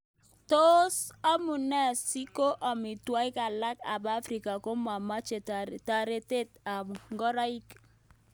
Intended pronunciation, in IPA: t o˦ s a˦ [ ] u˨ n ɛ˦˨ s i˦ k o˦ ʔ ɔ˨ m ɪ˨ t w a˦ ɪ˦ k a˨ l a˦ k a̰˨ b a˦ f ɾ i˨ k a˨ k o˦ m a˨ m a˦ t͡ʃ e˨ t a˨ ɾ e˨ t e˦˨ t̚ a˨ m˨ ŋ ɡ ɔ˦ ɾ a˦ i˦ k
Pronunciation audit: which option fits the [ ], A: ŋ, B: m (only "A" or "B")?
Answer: B